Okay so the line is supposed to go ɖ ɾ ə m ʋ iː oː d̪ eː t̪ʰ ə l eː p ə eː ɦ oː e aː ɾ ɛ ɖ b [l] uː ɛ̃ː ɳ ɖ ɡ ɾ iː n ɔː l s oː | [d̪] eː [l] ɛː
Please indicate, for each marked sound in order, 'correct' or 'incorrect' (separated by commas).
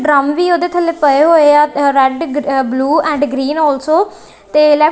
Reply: correct, incorrect, correct